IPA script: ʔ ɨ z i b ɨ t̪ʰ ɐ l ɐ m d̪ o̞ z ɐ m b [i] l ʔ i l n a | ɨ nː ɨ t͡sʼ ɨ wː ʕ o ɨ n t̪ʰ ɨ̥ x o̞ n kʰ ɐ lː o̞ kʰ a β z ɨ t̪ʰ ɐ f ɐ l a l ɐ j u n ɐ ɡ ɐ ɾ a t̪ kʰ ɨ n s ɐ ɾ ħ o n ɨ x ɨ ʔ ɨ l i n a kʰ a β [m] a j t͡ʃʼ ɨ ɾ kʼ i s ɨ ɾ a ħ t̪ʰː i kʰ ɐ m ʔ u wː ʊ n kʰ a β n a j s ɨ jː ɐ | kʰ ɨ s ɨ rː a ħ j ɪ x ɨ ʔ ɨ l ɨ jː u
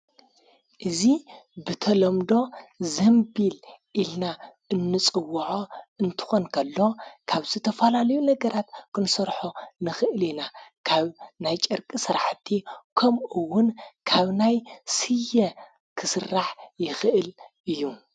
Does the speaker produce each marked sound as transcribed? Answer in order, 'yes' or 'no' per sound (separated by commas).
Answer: yes, no